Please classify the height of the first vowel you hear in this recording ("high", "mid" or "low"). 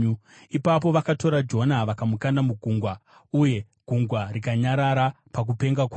high